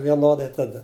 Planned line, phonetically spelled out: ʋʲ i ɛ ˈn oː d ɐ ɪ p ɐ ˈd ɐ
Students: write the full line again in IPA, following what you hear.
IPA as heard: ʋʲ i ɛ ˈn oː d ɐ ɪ t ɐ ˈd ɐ